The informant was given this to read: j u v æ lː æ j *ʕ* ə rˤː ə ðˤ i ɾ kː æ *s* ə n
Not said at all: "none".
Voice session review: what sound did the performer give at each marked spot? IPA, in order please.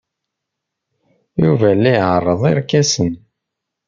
ʕ, s

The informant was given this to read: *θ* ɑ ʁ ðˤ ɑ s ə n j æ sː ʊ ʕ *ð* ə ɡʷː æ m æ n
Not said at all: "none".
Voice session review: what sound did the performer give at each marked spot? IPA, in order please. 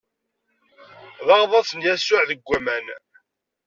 ð, ð

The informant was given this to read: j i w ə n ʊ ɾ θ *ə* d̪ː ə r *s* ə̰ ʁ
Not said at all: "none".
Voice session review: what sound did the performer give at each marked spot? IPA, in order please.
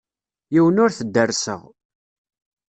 ə, s

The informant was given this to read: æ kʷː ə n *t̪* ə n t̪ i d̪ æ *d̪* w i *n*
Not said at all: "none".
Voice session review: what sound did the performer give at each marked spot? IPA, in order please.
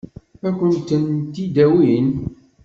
t̪, none, n

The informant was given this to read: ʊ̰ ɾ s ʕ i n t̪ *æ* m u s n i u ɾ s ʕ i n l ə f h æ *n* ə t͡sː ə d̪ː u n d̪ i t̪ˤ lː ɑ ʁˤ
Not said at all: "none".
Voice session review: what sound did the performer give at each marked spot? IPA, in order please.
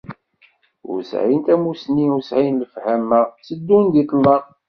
æ, m

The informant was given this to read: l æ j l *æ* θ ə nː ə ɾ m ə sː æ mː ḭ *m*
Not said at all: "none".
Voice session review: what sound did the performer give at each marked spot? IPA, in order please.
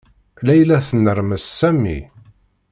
æ, none

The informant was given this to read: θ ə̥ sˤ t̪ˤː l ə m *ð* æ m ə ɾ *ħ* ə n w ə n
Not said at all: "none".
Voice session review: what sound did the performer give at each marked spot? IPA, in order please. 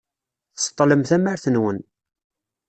θ, θ

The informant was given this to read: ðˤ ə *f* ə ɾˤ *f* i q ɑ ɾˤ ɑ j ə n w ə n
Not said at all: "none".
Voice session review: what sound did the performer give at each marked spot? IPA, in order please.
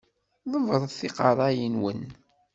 v, θ

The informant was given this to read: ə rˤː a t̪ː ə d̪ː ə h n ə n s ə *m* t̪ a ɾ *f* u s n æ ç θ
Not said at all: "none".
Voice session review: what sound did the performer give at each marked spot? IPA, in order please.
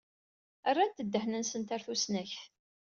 n, θ

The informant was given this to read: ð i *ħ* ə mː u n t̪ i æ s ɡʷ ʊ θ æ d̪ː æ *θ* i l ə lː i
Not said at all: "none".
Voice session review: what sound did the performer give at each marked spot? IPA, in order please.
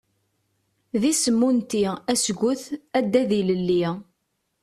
s, ð

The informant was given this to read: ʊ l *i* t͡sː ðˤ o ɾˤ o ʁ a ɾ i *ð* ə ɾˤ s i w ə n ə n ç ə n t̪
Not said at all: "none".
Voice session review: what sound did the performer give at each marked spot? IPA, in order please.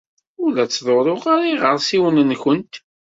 æ, ʁ

